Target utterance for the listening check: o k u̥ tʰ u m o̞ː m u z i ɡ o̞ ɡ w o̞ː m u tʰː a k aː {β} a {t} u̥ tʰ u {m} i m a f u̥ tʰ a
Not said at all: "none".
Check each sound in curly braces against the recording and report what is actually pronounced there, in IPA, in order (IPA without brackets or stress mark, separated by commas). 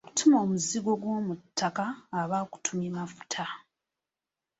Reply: β, k, m